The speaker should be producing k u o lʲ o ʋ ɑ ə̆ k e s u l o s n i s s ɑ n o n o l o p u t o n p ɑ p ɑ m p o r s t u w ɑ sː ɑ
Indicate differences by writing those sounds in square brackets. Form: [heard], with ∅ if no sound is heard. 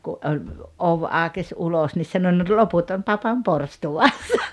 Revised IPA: k u o lʲ o ʋ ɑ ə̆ k e s u l o s n i s s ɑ n o n o l o p u t o n p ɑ p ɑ m p o r s t u w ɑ sː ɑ